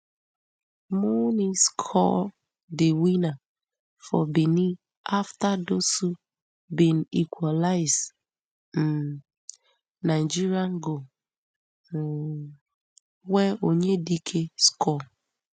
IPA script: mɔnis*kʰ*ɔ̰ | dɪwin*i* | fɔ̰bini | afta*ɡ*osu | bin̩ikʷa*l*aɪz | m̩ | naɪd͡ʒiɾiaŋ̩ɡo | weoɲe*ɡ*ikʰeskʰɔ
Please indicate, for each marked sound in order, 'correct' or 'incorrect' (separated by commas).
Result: correct, incorrect, incorrect, correct, incorrect